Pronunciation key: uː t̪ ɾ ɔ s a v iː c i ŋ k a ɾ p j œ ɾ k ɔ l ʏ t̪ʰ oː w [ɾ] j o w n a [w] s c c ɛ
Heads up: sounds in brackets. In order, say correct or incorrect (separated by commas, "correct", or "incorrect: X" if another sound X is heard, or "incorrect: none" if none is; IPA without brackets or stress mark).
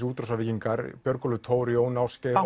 correct, correct